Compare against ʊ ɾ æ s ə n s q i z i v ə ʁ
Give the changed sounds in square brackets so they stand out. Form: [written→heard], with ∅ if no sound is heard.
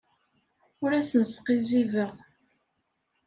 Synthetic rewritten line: ʊ ɾ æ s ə n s q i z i v ə ʁ